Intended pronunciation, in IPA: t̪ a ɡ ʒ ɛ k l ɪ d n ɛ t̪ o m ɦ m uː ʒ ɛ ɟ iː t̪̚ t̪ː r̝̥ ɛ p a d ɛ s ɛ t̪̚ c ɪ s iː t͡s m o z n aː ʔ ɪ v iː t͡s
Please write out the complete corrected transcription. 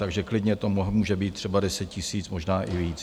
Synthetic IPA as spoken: t̪ a ɡ ʒ ɛ k l ɪ d ɲ ɛ t̪ o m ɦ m uː ʒ ɛ b iː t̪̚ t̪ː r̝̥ ɛ b a d ɛ s ɛ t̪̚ c ɪ s iː t͡s m o ʒ n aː ʔ ɪ v iː t͡s